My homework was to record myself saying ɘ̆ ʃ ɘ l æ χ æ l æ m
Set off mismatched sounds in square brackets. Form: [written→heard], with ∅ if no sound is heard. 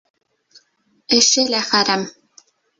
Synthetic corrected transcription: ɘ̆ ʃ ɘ l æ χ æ [l→ɾ] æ m